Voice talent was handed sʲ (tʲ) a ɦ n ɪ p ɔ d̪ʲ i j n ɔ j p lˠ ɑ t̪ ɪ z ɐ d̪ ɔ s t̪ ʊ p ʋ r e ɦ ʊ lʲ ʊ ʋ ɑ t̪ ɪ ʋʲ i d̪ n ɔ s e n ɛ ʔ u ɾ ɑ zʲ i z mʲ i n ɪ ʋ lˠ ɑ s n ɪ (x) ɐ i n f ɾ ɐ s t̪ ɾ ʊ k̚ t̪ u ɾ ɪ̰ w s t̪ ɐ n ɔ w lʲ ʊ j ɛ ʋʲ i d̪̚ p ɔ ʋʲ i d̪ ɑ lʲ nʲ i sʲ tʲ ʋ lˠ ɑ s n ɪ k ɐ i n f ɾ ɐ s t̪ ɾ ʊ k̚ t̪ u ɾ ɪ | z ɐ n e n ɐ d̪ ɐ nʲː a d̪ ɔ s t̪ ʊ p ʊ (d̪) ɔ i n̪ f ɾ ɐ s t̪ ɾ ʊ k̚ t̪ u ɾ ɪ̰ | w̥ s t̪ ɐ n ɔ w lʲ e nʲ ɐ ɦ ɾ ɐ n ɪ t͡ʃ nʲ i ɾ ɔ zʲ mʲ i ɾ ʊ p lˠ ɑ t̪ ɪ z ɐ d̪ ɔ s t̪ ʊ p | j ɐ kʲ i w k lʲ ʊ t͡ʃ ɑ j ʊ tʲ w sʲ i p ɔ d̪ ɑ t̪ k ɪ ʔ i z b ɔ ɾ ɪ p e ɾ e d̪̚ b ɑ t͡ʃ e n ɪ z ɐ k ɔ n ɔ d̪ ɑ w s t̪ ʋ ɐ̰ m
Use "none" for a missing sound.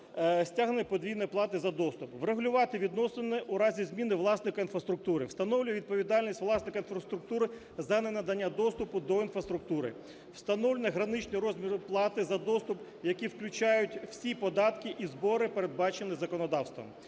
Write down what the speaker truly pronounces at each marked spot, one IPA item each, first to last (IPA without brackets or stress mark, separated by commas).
tʲ, k, d̪